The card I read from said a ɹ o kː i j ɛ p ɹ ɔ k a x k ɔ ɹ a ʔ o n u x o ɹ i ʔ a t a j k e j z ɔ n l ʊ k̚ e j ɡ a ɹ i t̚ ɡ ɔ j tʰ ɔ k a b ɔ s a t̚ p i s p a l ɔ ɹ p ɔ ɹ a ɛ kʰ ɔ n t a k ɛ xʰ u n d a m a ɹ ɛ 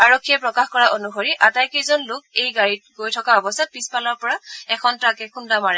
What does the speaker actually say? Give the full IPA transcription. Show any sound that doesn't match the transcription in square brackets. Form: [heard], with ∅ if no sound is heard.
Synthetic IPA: a ɹ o [kʰː] i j ɛ p ɹ ɔ k a x k ɔ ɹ a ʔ o n u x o ɹ i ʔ a t a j k e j z ɔ n l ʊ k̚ e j ɡ a ɹ i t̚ ɡ [o] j tʰ ɔ k a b ɔ s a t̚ p i s p a l ɔ ɹ p ɔ ɹ a ɛ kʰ ɔ n t a k ɛ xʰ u n d a m a ɹ ɛ